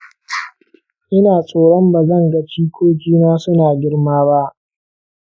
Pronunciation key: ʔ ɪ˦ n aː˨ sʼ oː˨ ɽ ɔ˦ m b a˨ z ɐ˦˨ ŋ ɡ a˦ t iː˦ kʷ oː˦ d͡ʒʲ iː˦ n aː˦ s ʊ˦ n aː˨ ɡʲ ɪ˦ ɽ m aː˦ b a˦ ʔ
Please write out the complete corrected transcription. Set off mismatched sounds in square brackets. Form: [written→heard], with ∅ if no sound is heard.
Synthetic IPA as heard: ʔ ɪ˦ n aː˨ sʼ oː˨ ɽ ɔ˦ m b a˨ z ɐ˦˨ ŋ ɡ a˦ [t→t͡ʃ] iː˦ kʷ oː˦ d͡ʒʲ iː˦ n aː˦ s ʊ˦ n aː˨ ɡʲ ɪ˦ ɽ m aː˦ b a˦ ʔ

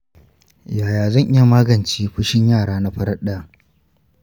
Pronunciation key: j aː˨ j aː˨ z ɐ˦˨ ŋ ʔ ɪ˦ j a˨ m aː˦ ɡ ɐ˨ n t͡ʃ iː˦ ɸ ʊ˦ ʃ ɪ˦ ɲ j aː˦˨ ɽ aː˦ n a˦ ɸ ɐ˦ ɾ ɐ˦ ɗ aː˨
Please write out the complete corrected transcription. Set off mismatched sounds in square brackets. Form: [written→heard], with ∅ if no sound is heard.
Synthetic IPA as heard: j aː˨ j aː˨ z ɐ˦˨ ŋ ʔ ɪ˦ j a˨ m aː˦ ɡ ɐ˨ n t͡ʃ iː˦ ɸ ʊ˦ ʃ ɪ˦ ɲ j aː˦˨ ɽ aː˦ n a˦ ɸ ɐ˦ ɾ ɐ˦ ɗ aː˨

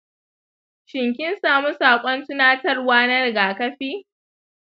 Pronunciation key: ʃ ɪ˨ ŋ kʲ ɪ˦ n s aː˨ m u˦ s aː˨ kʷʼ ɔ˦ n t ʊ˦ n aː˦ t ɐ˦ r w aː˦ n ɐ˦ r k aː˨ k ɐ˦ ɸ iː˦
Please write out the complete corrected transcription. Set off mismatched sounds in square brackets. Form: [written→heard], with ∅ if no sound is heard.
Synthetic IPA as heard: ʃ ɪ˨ ŋ kʲ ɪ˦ n s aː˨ m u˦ s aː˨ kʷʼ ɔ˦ n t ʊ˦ n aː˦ t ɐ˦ r w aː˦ n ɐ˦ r [k→ɡ] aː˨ k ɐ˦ ɸ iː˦

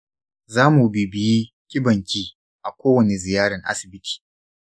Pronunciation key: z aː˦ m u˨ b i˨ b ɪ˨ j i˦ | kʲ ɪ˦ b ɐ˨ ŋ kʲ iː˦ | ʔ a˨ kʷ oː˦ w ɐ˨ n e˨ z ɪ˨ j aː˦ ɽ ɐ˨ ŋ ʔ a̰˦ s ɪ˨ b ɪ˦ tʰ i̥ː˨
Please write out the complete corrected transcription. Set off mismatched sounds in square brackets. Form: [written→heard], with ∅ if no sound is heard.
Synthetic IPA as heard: z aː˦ m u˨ b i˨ b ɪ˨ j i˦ | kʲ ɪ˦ b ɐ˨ ŋ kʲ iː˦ | ʔ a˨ kʷ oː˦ w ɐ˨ n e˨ z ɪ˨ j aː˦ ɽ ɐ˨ ŋ ʔ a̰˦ s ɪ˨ b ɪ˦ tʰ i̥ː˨

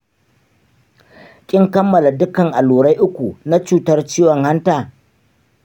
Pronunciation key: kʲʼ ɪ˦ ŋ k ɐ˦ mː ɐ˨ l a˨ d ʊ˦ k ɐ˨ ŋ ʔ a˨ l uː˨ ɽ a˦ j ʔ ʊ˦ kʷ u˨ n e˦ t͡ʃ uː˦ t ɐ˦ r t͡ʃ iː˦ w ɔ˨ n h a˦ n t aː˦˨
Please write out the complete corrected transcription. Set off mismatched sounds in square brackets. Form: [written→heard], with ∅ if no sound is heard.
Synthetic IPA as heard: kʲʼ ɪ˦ ŋ k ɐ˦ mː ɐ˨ l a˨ d ʊ˦ k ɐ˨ ŋ ʔ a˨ l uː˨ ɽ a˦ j ʔ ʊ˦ kʷ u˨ n [e˦→a˦] t͡ʃ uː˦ t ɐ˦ r t͡ʃ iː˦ w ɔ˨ [n→ŋ] h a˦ n t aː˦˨

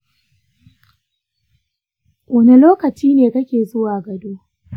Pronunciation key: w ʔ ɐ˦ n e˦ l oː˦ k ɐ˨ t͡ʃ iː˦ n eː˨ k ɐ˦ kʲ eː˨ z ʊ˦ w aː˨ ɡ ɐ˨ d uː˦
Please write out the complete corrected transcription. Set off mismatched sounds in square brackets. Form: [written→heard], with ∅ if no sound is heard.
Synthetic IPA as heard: w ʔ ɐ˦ n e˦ l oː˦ k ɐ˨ t͡ʃ iː˦ n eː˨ k ɐ˦ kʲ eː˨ z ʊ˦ w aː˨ ɡ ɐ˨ d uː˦

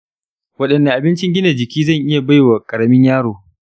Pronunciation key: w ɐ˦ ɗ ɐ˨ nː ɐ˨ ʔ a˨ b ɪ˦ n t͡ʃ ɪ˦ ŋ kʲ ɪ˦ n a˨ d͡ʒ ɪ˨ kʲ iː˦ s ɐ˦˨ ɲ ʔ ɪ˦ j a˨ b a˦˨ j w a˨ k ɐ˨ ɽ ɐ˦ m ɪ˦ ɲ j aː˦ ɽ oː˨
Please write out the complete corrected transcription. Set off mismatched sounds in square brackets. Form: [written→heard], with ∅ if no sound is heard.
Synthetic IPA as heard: w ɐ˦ ɗ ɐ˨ nː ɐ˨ ʔ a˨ b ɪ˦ n t͡ʃ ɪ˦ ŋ [kʲ→ɡʲ] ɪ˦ n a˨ d͡ʒ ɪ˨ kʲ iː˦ [s→z] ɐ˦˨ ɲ ʔ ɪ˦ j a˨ b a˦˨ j w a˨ [k→kʼ] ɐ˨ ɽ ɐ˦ m ɪ˦ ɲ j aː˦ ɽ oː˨

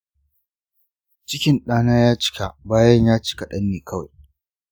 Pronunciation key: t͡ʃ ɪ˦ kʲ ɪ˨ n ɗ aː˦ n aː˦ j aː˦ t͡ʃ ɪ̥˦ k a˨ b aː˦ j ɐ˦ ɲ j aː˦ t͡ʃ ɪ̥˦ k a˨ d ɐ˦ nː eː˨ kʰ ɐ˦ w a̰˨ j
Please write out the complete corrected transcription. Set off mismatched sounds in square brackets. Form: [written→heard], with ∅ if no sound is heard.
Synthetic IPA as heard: t͡ʃ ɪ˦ kʲ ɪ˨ n ɗ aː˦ n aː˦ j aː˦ t͡ʃ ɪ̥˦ k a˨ b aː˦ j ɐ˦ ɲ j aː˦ t͡ʃ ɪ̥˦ k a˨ [d→ɗ] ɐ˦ nː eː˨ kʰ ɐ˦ w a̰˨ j

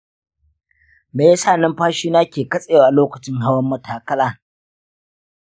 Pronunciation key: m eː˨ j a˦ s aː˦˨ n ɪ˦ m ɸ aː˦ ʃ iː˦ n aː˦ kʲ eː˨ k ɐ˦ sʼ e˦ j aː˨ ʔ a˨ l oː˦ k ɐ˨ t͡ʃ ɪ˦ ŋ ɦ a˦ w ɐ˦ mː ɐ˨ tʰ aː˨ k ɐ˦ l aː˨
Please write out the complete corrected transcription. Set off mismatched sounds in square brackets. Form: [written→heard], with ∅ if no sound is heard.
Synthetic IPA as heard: m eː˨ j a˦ s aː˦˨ n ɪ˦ m ɸ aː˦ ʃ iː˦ n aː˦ kʲ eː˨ k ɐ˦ sʼ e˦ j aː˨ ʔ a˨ l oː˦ k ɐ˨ t͡ʃ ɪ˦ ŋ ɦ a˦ w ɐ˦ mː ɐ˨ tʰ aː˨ k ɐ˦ l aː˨

